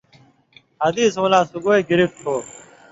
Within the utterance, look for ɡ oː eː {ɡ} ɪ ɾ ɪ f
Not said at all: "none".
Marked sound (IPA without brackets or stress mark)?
ɡ